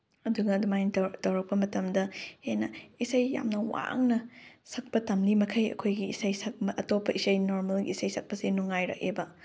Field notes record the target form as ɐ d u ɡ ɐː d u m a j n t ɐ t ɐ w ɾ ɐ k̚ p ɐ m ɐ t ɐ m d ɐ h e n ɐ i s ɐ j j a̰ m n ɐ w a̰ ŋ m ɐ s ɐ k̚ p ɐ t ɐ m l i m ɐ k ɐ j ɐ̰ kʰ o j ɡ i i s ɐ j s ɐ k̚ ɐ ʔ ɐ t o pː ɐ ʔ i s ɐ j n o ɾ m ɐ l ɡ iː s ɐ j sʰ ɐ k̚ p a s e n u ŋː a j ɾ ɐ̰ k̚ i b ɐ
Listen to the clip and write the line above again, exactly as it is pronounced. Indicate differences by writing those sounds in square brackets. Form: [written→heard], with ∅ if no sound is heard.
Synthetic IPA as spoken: ɐ d u ɡ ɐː d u m a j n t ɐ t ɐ w ɾ ɐ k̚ p ɐ m ɐ t ɐ m d ɐ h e n ɐ i s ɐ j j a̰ m n ɐ w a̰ ŋ [m→n] ɐ s ɐ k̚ p ɐ t ɐ m l i m ɐ [k→kʰ] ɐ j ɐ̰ kʰ o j ɡ i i s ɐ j s ɐ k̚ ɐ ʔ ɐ t o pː ɐ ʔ i s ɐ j n o ɾ m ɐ l ɡ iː s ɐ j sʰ ɐ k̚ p [a→ɐ] s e n u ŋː a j ɾ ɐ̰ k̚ [i→e] b ɐ